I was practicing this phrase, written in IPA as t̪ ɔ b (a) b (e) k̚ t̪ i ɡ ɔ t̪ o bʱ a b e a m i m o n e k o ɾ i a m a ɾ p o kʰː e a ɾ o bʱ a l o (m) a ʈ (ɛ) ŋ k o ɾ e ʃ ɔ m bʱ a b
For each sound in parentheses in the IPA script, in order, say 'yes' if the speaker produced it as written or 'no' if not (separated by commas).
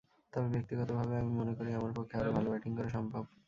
no, yes, no, no